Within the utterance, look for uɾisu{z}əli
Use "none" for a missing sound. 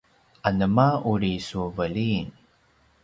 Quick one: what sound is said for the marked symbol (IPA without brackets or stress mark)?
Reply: v